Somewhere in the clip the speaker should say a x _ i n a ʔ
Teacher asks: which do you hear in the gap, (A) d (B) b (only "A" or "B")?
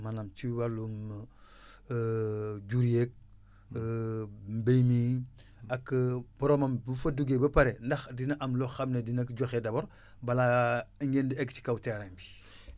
A